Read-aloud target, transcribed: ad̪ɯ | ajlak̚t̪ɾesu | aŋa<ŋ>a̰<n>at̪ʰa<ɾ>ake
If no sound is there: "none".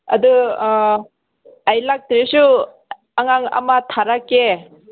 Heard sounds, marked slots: ŋ, m, ɾ

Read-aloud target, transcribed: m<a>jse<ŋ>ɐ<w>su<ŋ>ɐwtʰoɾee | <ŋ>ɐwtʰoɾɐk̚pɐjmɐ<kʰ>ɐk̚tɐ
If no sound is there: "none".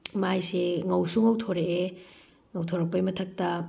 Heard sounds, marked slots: a, ŋ, w, ŋ, ŋ, tʰ

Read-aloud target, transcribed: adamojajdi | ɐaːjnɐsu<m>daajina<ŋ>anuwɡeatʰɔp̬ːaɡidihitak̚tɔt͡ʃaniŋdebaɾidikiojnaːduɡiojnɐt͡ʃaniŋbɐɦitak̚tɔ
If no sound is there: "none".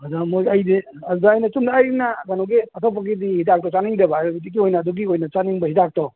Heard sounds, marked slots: m, ɡ

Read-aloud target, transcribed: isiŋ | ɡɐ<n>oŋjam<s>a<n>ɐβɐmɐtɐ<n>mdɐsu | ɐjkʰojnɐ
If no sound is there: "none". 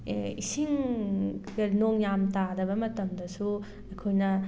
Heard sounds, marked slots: n, t, d, none

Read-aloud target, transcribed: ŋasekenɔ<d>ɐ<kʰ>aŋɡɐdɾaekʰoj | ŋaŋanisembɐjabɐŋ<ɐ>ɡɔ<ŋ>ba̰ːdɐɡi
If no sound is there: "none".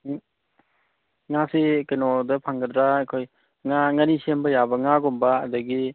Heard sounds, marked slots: d, pʰ, a, m

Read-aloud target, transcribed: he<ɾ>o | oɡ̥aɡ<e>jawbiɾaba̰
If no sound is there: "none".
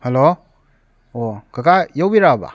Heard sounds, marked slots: l, a

